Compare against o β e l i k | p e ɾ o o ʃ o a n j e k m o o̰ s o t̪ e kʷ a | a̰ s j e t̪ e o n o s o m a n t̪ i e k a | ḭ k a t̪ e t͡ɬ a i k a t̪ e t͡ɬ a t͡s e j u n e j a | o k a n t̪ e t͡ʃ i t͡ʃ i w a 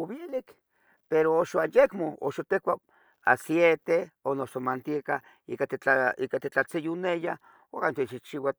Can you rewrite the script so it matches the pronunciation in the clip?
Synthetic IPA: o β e l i k | p e ɾ o o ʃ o a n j e k m o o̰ ʃ o t̪ e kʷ a | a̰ s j e t̪ e o n o s o m a n t̪ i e k a | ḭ k a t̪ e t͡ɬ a i k a t̪ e t͡ɬ a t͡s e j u n e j a | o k a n t̪ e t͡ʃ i t͡ʃ i w a